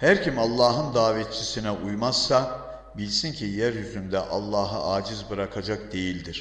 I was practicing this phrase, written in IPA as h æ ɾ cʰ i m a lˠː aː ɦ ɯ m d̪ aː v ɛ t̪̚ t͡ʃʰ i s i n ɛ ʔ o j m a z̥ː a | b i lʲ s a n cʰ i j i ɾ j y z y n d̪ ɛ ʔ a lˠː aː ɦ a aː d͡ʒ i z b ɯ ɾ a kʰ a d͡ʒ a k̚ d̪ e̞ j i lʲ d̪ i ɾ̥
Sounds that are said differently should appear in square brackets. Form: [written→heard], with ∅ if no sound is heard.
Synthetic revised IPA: h æ ɾ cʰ i m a lˠː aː ɦ ɯ [m→n] d̪ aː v ɛ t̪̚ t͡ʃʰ i s i n ɛ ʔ [o→u] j m a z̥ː a | b i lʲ s [a→i] n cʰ i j [i→æ] ɾ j y z y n d̪ ɛ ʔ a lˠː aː ɦ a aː d͡ʒ i z b ɯ ɾ a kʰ a d͡ʒ a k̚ d̪ e̞ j i lʲ d̪ i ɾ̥